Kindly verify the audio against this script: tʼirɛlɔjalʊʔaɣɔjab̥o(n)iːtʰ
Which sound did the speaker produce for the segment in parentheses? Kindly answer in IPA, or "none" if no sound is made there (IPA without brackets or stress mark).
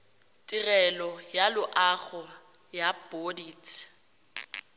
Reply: d